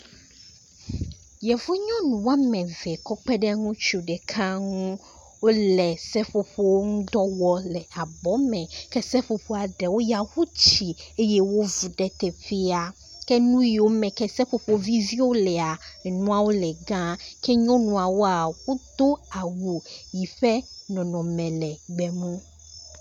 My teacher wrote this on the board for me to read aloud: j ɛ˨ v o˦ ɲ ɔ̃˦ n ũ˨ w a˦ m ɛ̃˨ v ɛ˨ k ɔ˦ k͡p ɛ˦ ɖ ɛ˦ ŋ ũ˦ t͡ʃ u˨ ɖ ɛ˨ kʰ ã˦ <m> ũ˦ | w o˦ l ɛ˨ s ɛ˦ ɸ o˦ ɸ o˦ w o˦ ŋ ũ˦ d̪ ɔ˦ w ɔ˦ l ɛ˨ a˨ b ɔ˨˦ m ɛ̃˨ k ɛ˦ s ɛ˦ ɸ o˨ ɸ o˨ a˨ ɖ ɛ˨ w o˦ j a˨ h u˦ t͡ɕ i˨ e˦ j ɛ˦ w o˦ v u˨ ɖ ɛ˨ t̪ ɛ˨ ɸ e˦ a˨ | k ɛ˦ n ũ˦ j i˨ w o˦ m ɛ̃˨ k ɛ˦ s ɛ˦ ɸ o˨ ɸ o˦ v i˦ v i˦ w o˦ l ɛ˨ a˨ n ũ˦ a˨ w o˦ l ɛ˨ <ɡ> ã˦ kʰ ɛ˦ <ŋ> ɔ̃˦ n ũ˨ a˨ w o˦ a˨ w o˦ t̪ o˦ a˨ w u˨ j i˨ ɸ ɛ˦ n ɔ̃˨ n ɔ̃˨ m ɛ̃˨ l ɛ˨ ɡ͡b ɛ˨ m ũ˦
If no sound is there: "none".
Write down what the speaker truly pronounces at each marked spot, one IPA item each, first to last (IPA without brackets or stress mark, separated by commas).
ŋ, ɡ, ɲ